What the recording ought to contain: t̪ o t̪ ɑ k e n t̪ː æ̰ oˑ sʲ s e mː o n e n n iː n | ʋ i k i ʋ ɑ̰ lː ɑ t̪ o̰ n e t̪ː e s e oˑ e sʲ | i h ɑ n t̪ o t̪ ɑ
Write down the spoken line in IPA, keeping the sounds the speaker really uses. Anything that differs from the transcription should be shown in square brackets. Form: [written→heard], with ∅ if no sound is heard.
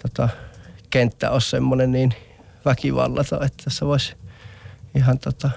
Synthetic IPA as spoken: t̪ o t̪ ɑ k e n t̪ː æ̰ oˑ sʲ s e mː o n e n n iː n | ʋ [i→æ] k i ʋ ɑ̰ lː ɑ t̪ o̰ [n→∅] e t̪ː [e→æ] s e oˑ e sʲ | i h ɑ n t̪ o t̪ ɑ